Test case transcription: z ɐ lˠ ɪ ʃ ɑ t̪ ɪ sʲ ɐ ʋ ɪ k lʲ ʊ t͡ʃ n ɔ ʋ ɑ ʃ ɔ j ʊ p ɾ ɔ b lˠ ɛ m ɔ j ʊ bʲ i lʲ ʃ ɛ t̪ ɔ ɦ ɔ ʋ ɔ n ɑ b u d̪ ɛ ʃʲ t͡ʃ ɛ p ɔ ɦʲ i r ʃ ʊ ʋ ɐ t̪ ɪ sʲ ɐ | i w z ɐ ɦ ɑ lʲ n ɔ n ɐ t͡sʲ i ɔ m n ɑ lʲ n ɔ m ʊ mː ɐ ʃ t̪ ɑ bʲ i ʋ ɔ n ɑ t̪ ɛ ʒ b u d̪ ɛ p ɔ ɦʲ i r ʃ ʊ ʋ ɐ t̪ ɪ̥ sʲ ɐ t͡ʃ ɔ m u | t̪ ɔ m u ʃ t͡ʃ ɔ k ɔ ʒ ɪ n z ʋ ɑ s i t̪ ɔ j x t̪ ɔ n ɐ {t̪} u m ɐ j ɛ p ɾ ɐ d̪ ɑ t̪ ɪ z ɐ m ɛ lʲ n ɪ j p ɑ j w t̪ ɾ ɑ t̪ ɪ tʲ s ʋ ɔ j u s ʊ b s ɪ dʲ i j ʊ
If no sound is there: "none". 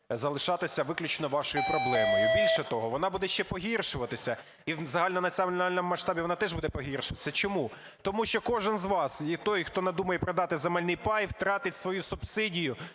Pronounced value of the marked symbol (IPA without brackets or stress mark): d̪